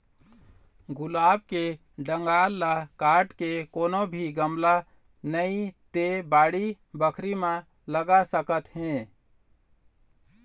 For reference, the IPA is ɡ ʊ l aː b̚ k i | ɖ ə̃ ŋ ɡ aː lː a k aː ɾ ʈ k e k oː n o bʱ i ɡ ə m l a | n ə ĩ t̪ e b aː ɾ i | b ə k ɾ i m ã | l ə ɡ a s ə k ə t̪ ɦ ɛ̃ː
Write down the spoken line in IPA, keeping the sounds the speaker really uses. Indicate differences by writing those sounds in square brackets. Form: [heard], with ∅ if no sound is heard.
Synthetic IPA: ɡ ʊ l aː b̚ k [e] | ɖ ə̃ ŋ ɡ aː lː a k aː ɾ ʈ k e k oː n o bʱ i ɡ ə m l a | n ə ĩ t̪ e b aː [ɽ] i | b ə [kʰ] ɾ i m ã | l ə ɡ a s ə k ə t̪ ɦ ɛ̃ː

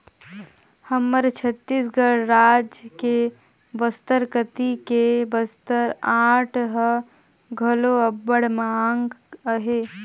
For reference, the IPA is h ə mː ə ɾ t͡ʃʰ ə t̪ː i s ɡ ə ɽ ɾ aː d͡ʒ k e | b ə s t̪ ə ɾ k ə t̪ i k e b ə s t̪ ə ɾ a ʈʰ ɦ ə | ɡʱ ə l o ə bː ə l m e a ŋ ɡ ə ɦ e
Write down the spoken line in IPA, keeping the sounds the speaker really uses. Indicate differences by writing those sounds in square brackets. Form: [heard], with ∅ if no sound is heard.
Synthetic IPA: h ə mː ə ɾ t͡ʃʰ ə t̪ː i s ɡ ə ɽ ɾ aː d͡ʒ k e | b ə s t̪ ə ɾ k ə t̪ i k e b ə s t̪ ə ɾ a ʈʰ ɦ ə | ɡʱ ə l o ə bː ə [ɽ] m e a ŋ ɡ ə ɦ e

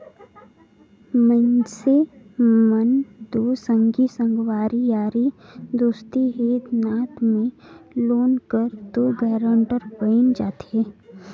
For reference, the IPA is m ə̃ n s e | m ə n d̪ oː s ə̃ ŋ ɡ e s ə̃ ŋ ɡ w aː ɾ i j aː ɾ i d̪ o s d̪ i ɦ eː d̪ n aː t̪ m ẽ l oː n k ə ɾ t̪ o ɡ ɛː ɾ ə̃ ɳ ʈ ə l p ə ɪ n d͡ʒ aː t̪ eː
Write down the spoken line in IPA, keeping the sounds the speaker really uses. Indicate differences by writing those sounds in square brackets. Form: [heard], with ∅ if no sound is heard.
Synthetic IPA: m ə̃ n s e | m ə n d̪ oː s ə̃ ŋ ɡ [i] s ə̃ ŋ ɡ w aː ɾ i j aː ɾ i d̪ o s [t̪] i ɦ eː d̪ n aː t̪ m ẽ l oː n k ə ɾ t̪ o ɡ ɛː ɾ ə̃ ɳ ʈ ə [ɾ] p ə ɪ n d͡ʒ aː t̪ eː

